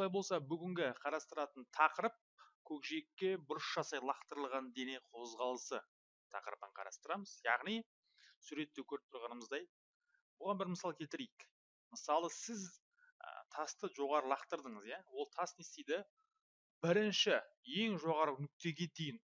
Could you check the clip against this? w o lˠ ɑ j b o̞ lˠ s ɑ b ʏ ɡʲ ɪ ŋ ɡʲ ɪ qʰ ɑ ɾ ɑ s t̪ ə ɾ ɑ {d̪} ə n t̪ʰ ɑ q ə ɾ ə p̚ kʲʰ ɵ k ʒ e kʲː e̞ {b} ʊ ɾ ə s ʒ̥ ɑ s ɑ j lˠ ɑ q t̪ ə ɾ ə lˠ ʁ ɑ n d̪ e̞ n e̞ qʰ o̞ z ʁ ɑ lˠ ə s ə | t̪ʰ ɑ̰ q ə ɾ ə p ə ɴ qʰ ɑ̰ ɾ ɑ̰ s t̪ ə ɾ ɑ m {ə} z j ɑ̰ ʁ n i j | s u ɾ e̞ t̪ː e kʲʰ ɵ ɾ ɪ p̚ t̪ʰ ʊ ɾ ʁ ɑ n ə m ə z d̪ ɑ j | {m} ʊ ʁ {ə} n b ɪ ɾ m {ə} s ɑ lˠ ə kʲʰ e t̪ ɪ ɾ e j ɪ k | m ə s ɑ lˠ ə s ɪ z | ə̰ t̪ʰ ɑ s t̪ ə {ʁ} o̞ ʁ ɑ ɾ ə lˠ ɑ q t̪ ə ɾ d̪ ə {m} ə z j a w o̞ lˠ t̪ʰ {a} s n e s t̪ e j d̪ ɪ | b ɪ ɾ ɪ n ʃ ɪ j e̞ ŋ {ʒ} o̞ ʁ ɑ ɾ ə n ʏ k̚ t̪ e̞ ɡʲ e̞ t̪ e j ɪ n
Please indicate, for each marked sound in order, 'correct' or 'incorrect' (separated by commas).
incorrect, correct, correct, incorrect, incorrect, correct, incorrect, incorrect, incorrect, correct